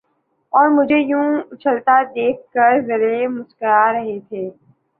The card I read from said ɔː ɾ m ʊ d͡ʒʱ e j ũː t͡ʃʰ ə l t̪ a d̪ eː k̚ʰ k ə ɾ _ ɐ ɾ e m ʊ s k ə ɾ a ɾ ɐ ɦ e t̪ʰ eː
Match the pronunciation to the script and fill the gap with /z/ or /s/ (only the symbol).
z